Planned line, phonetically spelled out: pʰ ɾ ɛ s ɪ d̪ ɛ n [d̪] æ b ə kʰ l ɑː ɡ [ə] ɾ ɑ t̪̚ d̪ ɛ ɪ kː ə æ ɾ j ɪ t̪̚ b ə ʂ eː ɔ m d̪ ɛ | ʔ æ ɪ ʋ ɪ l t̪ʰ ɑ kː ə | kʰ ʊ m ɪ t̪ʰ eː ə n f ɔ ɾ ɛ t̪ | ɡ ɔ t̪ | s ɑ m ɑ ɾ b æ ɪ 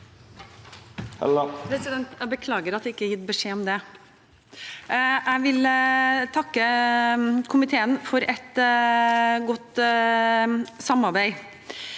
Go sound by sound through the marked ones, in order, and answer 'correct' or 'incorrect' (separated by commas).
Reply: incorrect, correct